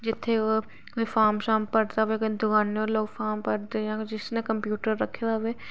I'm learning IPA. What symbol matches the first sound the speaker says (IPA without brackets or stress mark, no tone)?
d͡ʒ